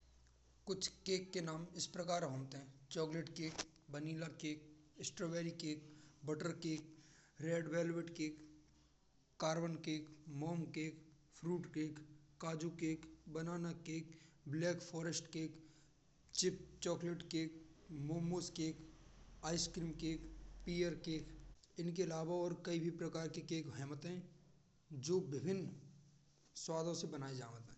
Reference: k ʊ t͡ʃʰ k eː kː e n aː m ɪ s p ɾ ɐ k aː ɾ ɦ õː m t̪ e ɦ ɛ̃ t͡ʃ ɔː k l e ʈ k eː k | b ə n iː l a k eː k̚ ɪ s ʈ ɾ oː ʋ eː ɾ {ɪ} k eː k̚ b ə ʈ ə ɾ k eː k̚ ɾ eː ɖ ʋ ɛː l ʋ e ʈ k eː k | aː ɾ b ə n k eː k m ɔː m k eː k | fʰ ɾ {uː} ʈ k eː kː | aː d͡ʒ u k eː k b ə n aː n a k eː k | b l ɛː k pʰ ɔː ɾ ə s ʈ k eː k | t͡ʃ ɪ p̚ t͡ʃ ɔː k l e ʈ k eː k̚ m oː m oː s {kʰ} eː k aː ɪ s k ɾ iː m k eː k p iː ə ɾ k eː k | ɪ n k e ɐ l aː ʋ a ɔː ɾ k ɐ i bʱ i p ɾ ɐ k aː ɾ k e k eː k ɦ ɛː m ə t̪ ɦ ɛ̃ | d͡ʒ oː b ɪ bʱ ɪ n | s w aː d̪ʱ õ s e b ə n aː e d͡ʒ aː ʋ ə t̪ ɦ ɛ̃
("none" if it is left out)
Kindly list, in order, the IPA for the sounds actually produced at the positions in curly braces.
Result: i, uː, k

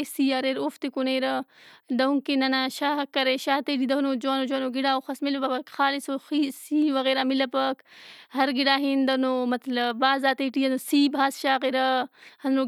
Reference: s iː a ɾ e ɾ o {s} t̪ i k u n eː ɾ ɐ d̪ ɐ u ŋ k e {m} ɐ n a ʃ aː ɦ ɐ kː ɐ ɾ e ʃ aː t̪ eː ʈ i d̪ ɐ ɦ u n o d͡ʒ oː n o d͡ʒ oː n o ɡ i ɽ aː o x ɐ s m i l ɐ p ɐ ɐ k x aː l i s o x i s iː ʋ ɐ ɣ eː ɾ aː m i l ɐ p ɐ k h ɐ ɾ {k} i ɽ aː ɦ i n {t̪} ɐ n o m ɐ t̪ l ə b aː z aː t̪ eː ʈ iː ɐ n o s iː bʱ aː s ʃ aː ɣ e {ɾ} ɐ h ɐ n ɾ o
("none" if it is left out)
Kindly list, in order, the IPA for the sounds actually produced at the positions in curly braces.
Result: f, n, ɡ, d̪, ɾ

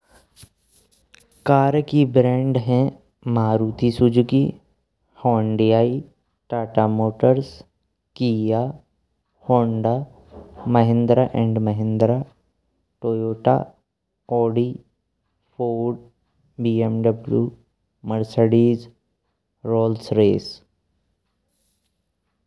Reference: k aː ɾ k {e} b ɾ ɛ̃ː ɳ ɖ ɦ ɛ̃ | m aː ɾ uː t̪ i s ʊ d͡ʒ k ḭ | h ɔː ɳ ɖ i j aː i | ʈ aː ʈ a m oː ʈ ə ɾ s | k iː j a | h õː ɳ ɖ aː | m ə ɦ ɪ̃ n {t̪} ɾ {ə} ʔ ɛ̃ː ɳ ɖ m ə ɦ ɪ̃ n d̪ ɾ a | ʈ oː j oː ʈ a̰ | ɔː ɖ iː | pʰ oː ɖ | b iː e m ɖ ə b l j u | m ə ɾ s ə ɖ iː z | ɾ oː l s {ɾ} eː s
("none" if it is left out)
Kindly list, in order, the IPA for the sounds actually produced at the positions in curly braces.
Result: i, d̪, a, ɾ

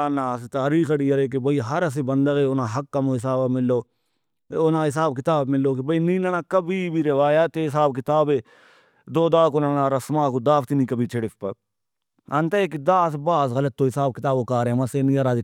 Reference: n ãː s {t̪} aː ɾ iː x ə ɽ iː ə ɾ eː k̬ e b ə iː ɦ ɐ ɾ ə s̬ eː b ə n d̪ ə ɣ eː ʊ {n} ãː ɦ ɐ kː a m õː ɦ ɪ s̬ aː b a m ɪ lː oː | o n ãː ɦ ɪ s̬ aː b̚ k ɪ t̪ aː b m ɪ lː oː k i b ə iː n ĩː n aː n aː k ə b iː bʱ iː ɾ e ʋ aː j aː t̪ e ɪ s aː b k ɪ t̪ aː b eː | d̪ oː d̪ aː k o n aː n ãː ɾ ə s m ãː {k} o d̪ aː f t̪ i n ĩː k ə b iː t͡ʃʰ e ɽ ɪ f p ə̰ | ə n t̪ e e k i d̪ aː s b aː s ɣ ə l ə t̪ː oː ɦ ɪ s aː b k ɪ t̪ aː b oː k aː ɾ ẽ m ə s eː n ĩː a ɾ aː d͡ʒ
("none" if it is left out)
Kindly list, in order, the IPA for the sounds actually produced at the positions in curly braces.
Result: t̪, n, k

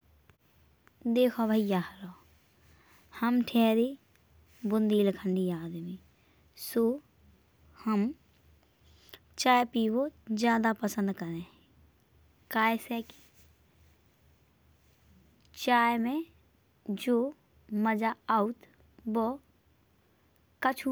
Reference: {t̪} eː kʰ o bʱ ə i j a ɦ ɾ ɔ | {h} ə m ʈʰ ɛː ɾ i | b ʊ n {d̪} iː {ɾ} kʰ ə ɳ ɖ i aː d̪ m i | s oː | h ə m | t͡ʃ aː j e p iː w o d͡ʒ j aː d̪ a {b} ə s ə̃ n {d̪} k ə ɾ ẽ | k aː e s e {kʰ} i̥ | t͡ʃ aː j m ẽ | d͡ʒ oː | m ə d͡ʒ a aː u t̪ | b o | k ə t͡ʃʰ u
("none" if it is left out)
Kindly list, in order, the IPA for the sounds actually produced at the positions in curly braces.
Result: d̪, h, d̪, l, p, d̪, k

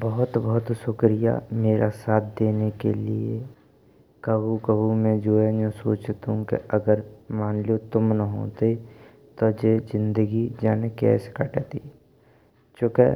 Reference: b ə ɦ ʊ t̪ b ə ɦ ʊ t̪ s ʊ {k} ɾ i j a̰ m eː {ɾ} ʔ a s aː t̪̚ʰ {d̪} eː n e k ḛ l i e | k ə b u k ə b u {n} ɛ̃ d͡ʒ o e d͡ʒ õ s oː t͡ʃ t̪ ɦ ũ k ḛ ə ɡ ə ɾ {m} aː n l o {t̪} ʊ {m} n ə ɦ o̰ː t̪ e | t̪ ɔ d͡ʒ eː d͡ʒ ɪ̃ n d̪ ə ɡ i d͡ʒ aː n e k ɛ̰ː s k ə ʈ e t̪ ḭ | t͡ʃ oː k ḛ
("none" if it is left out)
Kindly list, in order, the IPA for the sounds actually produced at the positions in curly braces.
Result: k, ɾ, d̪, m, m, t̪, m

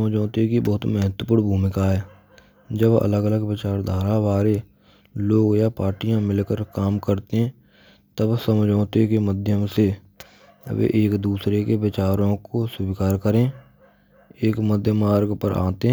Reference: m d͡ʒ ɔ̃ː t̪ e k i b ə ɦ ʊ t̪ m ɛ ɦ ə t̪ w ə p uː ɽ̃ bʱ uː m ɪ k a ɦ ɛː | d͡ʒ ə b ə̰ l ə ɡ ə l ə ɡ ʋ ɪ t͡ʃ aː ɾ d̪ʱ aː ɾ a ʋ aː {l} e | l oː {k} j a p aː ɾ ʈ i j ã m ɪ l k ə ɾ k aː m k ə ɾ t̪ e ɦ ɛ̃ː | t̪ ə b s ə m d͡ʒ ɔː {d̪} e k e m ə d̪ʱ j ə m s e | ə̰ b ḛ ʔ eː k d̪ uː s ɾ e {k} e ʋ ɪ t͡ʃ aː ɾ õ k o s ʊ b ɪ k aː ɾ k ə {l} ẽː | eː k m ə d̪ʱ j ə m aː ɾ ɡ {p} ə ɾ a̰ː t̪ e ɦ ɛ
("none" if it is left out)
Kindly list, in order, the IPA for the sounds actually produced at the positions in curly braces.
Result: ɾ, ɡ, t̪, k, ɾ, p

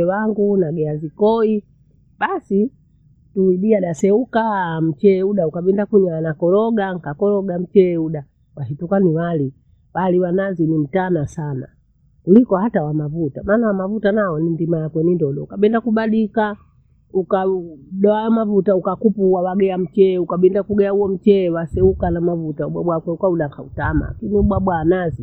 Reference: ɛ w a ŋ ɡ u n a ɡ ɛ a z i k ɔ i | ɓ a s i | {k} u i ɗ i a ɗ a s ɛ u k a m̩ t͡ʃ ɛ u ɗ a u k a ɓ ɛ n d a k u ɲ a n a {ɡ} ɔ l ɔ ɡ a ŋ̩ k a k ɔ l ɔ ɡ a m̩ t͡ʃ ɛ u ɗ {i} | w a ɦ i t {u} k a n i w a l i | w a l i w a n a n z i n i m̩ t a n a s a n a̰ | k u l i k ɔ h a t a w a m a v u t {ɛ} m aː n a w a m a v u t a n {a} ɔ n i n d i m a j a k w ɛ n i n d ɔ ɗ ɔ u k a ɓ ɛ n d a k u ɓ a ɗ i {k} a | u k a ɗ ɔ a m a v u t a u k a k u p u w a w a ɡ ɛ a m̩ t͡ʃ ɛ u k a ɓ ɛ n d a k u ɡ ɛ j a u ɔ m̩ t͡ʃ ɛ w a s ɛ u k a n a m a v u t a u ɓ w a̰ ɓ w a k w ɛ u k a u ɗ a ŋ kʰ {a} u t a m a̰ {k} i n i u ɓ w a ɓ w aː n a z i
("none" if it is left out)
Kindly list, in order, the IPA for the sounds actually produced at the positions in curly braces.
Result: t, k, a, u, a, a, k, a, k

